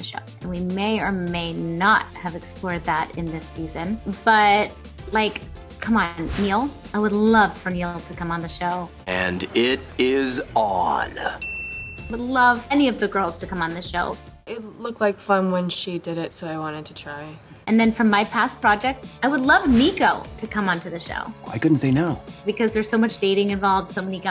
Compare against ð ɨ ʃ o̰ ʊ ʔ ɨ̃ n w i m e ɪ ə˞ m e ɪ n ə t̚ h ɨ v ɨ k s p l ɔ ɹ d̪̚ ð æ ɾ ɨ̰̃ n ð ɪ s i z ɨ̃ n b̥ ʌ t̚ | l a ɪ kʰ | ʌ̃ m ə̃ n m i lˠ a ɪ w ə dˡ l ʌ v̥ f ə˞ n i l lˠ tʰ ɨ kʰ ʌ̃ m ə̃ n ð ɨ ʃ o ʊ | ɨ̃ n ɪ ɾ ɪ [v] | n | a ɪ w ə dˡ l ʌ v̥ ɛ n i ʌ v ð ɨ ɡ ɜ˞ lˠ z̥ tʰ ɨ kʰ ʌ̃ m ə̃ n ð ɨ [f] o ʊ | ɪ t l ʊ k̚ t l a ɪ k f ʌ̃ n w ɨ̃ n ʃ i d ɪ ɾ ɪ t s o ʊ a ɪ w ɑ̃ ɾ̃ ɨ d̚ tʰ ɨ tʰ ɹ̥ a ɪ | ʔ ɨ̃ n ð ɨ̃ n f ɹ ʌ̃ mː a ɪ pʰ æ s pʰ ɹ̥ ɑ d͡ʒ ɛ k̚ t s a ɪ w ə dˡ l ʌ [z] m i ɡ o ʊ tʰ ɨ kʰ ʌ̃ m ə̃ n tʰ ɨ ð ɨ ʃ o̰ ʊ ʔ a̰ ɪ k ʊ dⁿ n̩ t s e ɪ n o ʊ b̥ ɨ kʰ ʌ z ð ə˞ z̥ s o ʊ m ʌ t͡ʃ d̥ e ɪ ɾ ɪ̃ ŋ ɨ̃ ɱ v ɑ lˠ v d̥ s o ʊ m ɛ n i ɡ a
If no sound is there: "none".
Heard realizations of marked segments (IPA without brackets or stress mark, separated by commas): z, ʃ, v